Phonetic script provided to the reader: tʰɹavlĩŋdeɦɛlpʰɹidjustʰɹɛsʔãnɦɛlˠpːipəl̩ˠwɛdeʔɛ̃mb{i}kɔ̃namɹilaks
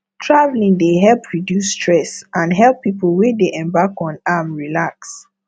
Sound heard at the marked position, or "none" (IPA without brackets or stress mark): a